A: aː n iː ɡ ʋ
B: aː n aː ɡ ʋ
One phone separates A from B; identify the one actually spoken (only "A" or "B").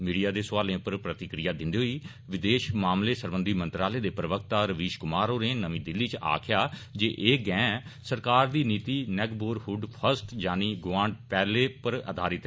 A